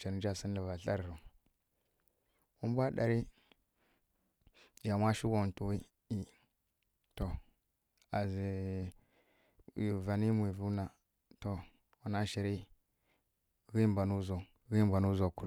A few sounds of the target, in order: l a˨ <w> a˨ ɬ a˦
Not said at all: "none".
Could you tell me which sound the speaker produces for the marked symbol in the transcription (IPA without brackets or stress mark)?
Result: v